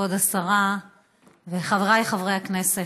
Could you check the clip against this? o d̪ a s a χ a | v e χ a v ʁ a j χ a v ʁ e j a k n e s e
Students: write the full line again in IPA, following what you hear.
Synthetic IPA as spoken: o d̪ a s a ʁ a | v e χ a v ʁ a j χ a v ʁ e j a k n e s e

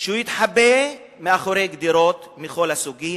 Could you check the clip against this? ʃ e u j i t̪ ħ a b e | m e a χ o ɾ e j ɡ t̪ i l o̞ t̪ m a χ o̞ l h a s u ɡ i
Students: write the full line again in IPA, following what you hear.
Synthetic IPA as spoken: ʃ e u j i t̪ ħ a b e | m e a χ o ɾ e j ɡ d̪ i ɾ o̞ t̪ m i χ o̞ l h a s u ɡ i

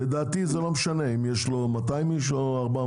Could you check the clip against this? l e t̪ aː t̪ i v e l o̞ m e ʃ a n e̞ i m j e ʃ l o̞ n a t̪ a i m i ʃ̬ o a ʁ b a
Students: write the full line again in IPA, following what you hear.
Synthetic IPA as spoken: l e d̪ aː t̪ i z e l o̞ m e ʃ a n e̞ i m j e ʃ l o̞ m a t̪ a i m i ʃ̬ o a ʁ b a

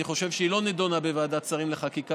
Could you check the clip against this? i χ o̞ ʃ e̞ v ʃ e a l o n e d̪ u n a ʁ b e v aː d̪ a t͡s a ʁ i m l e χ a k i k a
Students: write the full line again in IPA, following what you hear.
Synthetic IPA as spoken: i χ o̞ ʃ e̞ v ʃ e i l o n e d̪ o n a b e v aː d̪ a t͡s a ʁ i m l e χ a k i k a

